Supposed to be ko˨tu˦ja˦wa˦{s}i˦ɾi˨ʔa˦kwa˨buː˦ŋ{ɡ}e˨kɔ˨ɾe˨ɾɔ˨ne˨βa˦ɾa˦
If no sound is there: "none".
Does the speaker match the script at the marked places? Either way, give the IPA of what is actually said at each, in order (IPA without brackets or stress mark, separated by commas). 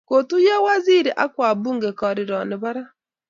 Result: z, ɡ